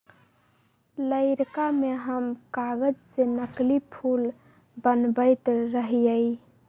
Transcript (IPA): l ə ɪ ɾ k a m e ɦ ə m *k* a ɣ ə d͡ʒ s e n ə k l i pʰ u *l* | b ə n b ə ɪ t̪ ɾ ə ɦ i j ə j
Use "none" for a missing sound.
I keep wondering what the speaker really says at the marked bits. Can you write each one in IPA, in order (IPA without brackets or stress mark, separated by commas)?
k, l